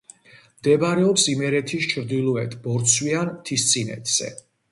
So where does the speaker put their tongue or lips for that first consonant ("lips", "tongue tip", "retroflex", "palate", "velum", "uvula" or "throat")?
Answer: lips